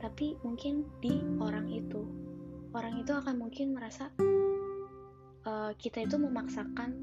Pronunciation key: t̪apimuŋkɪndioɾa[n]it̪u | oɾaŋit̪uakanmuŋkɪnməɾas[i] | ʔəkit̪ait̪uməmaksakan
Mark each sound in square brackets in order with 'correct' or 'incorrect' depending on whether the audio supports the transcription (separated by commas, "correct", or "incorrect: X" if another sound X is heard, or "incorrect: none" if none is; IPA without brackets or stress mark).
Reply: incorrect: ŋ, incorrect: a